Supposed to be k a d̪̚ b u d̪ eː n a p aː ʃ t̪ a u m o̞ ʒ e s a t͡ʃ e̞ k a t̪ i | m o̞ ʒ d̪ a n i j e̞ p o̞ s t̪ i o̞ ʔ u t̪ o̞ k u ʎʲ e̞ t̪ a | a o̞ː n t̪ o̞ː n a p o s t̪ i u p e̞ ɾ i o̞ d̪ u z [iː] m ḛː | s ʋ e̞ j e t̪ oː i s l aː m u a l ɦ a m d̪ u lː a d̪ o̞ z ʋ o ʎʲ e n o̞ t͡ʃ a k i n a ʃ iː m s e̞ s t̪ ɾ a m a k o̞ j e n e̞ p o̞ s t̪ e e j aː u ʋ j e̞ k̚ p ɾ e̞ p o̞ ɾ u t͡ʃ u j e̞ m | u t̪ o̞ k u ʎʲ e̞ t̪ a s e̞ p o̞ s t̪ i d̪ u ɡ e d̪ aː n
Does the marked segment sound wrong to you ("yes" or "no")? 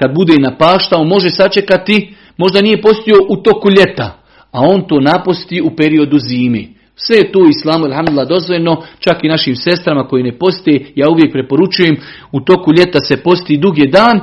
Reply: no